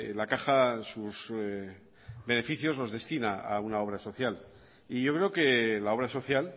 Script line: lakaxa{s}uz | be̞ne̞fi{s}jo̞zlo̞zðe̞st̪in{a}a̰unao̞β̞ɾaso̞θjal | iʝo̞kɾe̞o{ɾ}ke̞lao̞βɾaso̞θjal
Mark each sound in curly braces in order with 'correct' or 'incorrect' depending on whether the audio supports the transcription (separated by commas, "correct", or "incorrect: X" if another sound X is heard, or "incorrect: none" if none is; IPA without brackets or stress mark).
correct, incorrect: θ, correct, incorrect: none